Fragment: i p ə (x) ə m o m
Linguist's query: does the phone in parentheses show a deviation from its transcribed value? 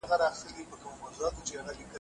yes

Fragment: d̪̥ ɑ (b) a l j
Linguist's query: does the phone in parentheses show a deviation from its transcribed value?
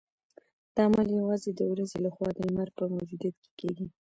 yes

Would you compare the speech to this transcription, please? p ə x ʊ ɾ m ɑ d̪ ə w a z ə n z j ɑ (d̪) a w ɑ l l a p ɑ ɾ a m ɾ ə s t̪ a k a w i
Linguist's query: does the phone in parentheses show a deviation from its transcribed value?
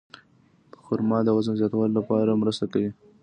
yes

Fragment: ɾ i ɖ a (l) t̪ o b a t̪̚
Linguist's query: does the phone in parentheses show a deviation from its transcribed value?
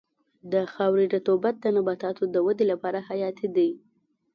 yes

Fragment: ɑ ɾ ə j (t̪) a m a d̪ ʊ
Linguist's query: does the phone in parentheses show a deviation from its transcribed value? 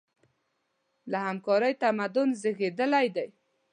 no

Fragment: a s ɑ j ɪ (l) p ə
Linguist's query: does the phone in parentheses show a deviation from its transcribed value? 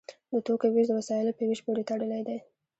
no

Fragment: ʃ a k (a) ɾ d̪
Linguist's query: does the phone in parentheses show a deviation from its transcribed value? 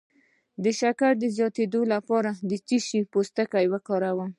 no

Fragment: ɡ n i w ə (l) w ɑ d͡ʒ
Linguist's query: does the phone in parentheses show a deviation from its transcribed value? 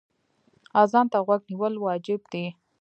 no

